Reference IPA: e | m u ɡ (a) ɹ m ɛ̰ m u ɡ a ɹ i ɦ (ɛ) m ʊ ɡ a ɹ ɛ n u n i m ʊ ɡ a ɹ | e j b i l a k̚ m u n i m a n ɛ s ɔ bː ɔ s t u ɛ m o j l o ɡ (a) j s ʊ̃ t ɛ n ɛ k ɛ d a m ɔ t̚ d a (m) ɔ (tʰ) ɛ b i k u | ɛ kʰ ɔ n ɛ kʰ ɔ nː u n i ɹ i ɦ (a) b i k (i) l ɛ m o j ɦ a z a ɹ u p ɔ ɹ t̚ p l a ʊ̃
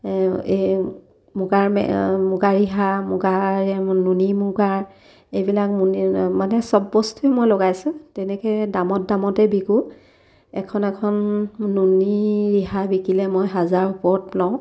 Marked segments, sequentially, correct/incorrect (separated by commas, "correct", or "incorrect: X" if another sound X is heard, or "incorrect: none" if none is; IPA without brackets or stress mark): correct, incorrect: a, correct, correct, incorrect: t, correct, correct